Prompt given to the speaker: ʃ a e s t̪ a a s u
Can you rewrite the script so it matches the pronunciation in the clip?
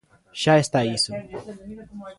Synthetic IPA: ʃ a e s t̪ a i s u